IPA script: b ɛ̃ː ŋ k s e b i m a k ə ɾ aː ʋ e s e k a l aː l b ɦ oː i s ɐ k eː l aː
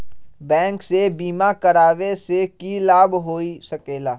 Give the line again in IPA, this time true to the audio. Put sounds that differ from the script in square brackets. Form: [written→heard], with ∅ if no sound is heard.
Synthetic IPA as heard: b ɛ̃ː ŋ k s e b [i→iː] m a k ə ɾ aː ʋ e s e k [a→i] l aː [l→∅] b ɦ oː i s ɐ k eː l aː